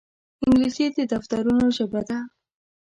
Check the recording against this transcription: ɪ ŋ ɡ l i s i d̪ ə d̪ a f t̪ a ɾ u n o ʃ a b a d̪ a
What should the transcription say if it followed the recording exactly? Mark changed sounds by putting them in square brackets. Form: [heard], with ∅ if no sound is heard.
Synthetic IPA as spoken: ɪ ŋ ɡ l i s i d̪ ə d̪ a f t̪ a ɾ u n o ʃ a b a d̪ a